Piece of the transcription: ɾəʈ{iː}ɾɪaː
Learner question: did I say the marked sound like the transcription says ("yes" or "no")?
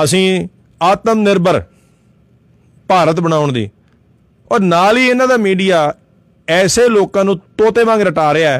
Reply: no